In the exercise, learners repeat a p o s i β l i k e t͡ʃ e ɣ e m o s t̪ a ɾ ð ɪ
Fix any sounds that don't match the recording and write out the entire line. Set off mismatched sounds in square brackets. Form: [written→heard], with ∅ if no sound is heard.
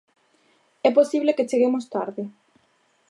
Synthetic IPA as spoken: [a→ɛ] p o s i β l [i→e] k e t͡ʃ e ɣ e m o s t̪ a ɾ ð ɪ